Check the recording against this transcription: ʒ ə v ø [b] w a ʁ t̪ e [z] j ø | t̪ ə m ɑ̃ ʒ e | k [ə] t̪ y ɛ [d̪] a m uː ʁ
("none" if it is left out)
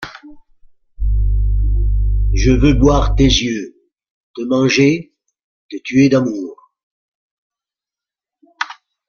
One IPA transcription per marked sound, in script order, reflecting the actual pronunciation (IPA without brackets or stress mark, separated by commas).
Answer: b, z, ə, d̪